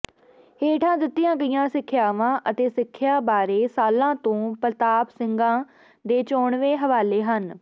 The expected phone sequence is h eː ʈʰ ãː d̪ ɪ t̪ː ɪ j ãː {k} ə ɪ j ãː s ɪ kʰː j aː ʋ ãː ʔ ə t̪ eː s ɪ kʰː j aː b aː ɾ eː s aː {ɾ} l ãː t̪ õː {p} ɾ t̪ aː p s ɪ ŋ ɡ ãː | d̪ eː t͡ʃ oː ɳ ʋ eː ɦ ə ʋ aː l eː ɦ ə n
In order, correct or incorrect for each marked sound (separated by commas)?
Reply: incorrect, incorrect, correct